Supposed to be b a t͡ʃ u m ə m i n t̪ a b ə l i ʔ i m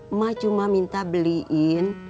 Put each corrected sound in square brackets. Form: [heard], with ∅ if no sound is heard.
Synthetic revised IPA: [m] a t͡ʃ u m [a] m i n t̪ a b ə l i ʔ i [n]